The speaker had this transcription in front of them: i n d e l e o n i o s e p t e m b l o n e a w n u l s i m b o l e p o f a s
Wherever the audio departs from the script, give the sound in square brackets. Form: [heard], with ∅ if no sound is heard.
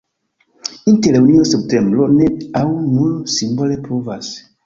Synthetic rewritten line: i n [t] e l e [u] n i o s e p t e m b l o n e a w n u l s i m b o l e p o [v] a s